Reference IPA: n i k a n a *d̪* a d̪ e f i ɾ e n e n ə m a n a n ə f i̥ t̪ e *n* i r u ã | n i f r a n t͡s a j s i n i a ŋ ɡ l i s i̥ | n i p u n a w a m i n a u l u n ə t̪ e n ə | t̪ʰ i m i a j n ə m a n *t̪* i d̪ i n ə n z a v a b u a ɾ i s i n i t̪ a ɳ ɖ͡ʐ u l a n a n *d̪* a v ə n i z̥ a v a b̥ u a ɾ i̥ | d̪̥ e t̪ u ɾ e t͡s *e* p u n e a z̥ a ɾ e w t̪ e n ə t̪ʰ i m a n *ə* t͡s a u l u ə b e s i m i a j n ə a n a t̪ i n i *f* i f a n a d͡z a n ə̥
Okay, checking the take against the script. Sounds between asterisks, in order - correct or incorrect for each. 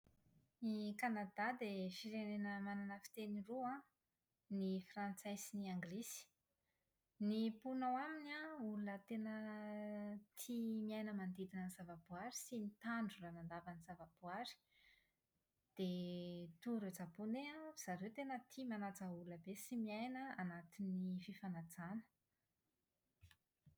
correct, correct, incorrect: d̪, correct, incorrect: a, incorrect: a, correct

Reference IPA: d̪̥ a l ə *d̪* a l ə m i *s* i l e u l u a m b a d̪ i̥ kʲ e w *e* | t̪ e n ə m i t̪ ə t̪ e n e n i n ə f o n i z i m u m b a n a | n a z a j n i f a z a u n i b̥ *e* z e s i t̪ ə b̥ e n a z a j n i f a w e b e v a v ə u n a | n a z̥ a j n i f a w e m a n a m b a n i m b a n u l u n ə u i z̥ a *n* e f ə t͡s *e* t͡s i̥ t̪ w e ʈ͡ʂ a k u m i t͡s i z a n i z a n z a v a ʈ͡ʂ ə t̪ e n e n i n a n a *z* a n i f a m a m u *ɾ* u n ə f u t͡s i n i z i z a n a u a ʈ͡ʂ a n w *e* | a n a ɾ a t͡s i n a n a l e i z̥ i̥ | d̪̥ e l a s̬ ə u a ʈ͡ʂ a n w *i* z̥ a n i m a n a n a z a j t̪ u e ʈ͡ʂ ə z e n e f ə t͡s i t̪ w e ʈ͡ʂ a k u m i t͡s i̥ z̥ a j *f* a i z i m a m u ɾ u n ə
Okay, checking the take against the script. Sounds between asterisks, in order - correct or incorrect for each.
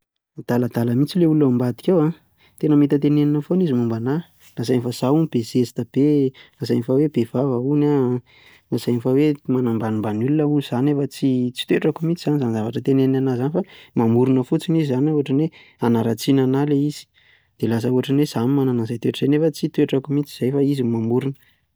correct, incorrect: t͡s, incorrect: a, correct, correct, incorrect: i, correct, correct, correct, incorrect: e, correct

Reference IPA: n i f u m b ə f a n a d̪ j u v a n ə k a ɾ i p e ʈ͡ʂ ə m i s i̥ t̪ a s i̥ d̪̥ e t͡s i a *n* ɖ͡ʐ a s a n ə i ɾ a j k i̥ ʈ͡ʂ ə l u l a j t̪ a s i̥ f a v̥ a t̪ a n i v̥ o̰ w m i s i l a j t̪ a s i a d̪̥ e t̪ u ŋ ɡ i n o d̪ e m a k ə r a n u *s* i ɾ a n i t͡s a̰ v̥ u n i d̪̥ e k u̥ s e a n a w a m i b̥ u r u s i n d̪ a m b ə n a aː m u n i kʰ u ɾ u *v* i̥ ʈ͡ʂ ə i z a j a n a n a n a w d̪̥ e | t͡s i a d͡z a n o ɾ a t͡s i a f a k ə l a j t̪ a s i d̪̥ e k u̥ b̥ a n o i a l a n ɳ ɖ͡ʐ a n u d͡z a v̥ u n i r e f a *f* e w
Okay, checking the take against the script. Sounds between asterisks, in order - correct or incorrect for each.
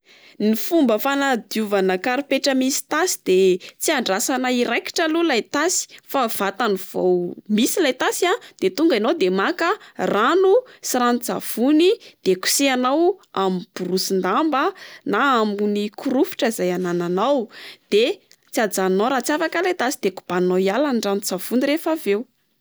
incorrect: ɳ, correct, incorrect: f, incorrect: v

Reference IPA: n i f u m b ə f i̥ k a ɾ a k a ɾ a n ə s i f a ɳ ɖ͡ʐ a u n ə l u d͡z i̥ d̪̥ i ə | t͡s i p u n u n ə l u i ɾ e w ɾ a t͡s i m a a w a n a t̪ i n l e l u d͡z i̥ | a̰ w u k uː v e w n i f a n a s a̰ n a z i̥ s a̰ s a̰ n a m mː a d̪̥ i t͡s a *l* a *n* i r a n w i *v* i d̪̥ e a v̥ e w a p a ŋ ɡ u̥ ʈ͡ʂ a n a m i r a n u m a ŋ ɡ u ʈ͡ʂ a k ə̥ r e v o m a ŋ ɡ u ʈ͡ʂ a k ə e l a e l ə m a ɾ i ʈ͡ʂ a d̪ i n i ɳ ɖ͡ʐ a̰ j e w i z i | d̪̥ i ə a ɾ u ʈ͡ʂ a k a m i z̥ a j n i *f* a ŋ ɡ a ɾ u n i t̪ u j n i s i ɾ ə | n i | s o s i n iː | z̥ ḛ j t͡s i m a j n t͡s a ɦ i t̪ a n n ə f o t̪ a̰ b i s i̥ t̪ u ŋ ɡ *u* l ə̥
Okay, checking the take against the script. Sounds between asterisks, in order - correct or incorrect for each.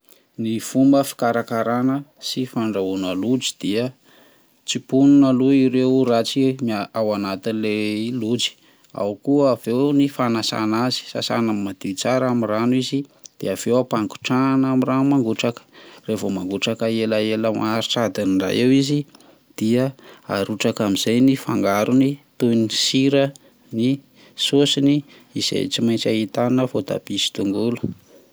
incorrect: ɾ, incorrect: m, incorrect: z, correct, correct

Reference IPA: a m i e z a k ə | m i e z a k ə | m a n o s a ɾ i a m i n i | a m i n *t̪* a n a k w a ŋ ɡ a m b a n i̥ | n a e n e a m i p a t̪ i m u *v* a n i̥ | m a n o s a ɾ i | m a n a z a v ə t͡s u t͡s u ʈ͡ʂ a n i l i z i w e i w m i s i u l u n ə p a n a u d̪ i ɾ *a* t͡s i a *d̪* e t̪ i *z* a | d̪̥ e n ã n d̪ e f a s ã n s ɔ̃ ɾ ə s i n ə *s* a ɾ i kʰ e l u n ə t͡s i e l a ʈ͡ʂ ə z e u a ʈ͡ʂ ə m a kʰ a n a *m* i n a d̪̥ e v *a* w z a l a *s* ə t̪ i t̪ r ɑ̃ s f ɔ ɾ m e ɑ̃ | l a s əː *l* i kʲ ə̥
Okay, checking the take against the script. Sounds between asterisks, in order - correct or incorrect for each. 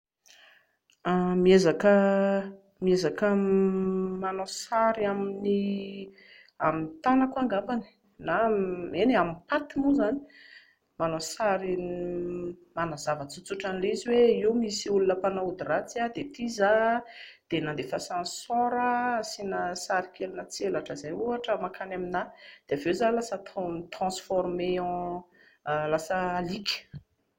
correct, incorrect: z, correct, correct, correct, correct, correct, incorrect: e, correct, correct

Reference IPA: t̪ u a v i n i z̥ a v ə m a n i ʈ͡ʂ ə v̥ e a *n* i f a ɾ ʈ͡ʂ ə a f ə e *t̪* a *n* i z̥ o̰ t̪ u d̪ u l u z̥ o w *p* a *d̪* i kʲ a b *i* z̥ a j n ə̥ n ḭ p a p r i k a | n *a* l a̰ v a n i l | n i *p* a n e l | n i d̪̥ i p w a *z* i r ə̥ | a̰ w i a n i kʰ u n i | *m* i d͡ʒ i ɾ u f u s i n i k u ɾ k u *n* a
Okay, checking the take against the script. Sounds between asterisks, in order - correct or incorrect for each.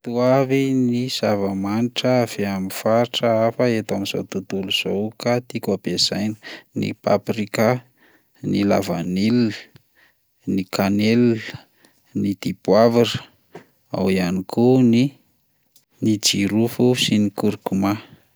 incorrect: m, correct, incorrect: m, incorrect: k, incorrect: t̪, incorrect: e, incorrect: i, incorrect: k, incorrect: v, incorrect: n, incorrect: m

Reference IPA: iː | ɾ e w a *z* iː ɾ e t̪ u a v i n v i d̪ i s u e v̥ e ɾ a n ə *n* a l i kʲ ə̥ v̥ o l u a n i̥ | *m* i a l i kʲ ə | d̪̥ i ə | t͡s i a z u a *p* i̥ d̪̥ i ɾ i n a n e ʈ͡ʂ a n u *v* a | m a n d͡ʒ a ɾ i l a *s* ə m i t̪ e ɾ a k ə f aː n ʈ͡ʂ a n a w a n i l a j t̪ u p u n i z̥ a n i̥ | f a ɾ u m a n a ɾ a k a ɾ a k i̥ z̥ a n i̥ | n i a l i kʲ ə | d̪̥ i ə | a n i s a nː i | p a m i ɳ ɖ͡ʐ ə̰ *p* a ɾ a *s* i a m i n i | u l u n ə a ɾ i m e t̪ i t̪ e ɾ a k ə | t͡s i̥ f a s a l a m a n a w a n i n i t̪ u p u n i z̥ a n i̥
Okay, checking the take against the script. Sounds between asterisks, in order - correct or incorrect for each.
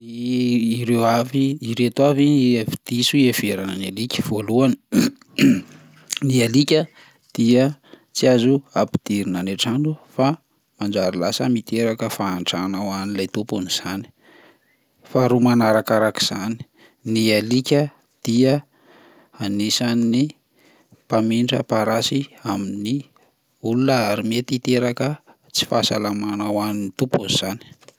incorrect: v, correct, incorrect: n, correct, incorrect: f, correct, correct, correct

